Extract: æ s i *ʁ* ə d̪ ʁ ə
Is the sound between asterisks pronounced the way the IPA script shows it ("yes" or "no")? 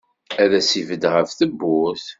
no